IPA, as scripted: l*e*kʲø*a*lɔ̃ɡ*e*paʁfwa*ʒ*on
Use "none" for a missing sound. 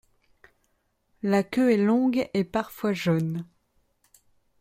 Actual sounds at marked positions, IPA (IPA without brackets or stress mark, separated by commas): a, ɛ, e, ʒ